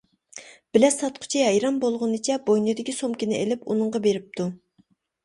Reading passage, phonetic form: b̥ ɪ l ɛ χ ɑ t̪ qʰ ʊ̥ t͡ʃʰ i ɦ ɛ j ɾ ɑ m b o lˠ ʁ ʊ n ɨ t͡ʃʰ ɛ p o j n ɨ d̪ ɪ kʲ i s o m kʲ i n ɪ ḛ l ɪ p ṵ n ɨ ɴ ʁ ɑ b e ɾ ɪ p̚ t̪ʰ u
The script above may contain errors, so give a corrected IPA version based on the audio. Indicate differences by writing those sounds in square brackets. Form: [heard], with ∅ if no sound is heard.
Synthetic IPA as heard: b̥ ɪ l ɛ [s] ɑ t̪ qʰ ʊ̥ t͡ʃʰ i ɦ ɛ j ɾ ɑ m b o lˠ ʁ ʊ n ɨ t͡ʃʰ ɛ [b] o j n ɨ d̪ ɪ kʲ i s o m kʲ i n ɪ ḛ l ɪ p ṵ n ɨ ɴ ʁ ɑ b e ɾ ɪ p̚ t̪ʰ u